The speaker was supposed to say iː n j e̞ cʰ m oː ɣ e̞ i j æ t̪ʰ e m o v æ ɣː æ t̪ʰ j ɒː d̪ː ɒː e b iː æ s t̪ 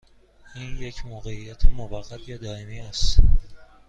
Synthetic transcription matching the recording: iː n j e̞ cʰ m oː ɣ e̞ i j æ t̪ʰ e m o v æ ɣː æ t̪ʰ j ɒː d̪ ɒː e m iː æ s t̪

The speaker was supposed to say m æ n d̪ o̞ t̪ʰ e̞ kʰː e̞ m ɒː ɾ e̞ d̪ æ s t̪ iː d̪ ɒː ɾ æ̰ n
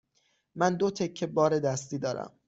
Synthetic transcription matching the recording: m æ n d̪ o̞ t̪ʰ e̞ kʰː e̞ b ɒː ɾ e̞ d̪ æ s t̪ iː d̪ ɒː ɾ æ̰ m

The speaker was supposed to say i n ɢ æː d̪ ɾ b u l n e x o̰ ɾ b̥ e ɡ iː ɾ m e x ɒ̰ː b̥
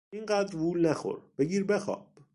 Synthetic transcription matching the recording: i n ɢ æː d̪ ɾ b u l n æ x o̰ ɾ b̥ e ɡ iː ɾ b e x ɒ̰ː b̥

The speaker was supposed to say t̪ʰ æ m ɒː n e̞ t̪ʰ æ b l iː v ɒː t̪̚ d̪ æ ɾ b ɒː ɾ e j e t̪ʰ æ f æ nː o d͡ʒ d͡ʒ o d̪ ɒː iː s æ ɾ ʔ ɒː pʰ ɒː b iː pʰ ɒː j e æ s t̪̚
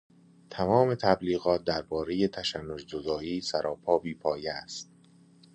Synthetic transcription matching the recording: t̪ʰ æ m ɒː m e̞ t̪ʰ æ b l iː ɣ ɒː t̪̚ d̪ æ ɾ b ɒː ɾ e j e t̪ʰ æ ʃ æ nː o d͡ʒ d͡ʒ o d̪ ɒː iː s æ ɾ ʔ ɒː pʰ ɒː b iː pʰ ɒː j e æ s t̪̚

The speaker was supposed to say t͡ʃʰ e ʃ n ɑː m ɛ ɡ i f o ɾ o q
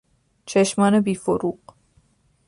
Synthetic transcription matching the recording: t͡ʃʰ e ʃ m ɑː n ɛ b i f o ɾ u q

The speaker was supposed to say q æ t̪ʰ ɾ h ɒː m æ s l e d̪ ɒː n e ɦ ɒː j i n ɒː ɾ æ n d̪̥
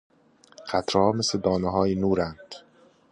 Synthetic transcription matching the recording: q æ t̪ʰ ɾ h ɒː m e s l e d̪ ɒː n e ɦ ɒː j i n uː ɾ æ n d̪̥

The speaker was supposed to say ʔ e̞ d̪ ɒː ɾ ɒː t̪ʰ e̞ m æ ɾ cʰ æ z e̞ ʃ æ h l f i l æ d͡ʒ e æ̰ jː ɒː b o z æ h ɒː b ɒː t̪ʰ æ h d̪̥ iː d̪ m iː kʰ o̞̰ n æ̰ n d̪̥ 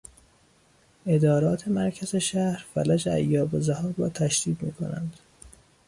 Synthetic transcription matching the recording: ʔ e̞ d̪ ɒː ɾ ɒː t̪ʰ e̞ m æ ɾ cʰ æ z e̞ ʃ æ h ɾ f æ l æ d͡ʒ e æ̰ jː ɒː b o z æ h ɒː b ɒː t̪ʰ æ ʃ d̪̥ iː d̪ m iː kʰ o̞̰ n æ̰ n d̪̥

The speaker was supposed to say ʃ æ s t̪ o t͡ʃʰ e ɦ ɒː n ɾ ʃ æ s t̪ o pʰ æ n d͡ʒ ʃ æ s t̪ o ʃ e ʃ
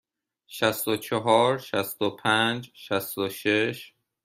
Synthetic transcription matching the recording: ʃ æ s t̪ o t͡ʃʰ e ɦ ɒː ɾ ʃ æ s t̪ o pʰ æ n d͡ʒ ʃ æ s t̪ o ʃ e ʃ

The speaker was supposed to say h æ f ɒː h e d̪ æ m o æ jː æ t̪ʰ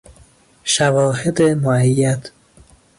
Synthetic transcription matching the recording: ʃ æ v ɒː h e d̪ e m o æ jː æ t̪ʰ

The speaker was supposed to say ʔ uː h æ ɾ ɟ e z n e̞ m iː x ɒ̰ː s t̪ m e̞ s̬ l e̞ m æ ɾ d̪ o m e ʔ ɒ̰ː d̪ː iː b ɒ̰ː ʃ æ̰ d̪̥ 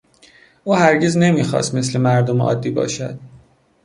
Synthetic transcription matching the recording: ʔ uː h æ ɾ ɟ e z n e̞ m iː x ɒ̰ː s t̪ m e̞ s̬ l e̞ m æ ɾ d̪ o m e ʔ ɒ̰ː d̪ː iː b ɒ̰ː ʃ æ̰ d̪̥

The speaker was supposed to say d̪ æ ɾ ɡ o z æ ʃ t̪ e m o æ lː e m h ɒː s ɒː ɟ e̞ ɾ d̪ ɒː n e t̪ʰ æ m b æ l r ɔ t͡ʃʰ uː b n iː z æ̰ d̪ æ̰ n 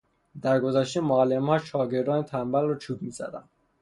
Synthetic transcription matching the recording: d̪ æ ɾ ɡ o z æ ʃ t̪ e m o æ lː e m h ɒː ʃ ɒː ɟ e̞ ɾ d̪ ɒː n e t̪ʰ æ m b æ l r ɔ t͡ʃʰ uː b m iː z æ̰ d̪ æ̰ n

